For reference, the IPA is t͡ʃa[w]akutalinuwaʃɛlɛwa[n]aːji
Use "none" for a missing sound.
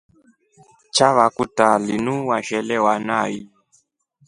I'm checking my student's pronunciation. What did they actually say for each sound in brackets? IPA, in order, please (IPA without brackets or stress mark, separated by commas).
β, n